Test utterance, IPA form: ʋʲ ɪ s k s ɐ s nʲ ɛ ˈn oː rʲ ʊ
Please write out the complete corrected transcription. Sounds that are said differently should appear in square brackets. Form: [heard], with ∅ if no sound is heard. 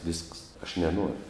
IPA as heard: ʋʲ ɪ s k s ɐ [ʃ] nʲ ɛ ˈn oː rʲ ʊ